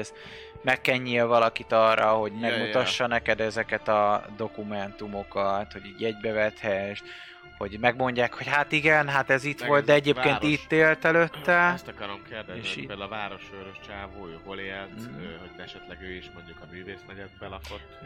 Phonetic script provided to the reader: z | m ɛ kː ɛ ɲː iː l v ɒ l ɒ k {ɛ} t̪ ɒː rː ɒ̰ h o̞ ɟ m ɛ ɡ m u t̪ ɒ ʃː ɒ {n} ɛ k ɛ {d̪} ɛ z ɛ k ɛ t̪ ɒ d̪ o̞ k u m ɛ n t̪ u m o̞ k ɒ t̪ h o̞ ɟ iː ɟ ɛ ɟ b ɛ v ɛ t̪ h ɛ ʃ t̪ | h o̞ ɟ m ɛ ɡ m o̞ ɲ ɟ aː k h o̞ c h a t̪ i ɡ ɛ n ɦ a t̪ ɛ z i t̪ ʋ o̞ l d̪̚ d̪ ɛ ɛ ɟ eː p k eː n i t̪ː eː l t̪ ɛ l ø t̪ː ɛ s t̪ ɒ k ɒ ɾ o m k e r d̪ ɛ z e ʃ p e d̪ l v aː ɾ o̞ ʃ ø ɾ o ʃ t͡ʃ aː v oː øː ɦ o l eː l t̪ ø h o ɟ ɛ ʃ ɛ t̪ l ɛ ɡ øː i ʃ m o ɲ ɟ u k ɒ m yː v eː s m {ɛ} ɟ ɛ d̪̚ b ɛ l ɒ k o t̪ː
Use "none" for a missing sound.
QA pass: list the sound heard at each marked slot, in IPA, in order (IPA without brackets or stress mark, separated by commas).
i, n, d̪, ɛ